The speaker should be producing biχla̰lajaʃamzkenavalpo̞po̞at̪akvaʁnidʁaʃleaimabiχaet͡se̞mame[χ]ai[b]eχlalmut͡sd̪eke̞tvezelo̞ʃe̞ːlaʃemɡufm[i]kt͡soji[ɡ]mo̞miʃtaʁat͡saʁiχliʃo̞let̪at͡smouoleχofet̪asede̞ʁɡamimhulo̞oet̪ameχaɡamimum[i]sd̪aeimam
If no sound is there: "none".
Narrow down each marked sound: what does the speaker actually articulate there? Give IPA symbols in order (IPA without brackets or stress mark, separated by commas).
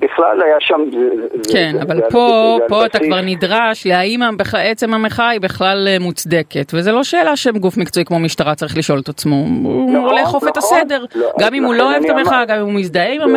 χ, b, i, k, i